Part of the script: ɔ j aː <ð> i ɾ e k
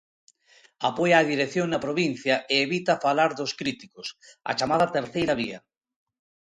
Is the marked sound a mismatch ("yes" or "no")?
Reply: no